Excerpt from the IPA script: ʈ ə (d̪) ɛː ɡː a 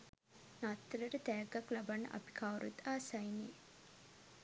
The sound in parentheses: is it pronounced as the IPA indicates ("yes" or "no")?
no